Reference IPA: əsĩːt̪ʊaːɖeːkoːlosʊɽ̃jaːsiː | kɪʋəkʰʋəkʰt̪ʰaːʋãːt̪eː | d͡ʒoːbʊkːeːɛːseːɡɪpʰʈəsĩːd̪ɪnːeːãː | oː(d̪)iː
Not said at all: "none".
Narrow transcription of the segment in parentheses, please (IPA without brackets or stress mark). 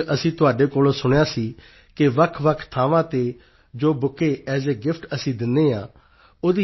d̪